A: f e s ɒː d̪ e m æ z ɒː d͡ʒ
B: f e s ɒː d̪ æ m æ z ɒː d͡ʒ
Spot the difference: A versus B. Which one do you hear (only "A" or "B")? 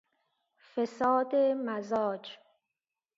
A